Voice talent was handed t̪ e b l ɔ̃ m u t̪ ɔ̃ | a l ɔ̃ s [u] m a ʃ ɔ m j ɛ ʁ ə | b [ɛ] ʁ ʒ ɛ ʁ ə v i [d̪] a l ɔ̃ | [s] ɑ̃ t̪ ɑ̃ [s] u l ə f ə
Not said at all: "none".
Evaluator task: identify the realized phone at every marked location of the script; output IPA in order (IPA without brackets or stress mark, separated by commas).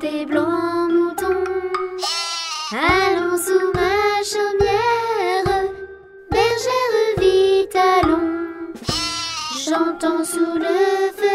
u, ɛ, t̪, ʃ, s